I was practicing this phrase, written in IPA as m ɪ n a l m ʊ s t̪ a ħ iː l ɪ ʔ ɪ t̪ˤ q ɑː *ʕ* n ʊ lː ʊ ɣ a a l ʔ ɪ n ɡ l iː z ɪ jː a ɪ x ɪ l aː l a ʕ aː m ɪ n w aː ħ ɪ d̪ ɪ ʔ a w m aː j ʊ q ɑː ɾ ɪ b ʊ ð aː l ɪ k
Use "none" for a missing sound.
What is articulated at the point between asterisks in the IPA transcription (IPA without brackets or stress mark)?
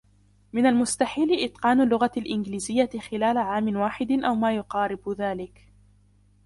none